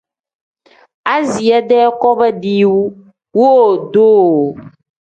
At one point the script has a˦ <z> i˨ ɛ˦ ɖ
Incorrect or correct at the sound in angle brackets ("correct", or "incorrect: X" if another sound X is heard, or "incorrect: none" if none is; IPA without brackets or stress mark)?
correct